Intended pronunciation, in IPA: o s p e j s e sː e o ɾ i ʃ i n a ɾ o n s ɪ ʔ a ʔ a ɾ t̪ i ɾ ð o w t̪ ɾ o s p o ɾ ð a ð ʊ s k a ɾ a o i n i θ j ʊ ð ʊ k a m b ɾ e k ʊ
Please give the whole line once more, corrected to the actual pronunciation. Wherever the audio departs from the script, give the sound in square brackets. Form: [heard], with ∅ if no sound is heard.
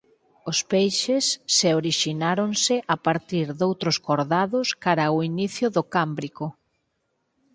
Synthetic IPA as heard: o s p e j [ʃ] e sː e o ɾ i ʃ i n a ɾ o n s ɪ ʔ a [p] a ɾ t̪ i ɾ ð o w t̪ ɾ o s [k] o ɾ ð a ð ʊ s k a ɾ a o i n i θ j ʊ ð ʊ k a m b ɾ [i] k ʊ